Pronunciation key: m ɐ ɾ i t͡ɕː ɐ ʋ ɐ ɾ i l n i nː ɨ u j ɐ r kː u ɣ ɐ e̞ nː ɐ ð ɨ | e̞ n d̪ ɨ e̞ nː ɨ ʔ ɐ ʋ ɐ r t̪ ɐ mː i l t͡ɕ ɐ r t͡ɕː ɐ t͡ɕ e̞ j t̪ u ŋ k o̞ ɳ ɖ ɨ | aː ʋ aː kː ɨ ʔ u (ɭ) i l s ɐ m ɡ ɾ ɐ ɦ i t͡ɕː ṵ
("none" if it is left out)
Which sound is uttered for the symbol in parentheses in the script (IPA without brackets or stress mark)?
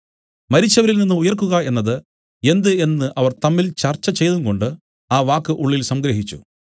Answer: ɭː